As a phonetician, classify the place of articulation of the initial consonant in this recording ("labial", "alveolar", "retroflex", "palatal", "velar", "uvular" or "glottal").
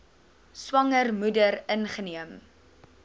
alveolar